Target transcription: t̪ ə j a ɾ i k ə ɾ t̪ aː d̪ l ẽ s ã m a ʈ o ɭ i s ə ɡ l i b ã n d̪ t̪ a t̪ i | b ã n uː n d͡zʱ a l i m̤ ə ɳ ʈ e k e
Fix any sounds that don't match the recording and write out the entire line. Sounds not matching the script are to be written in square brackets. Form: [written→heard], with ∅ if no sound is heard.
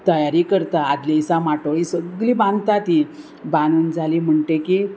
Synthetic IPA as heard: t̪ ə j a ɾ i k ə ɾ t̪ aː d̪ l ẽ s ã m a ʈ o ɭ i s ə ɡ l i b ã n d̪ t̪ a t̪ i | b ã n uː n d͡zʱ a l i m̤ ə ɳ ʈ e k [e→i]